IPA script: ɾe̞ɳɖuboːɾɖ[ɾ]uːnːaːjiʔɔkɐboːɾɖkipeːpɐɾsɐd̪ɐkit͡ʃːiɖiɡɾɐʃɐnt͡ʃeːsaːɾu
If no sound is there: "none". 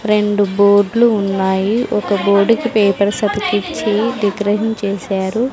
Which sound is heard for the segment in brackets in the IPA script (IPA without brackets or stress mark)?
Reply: l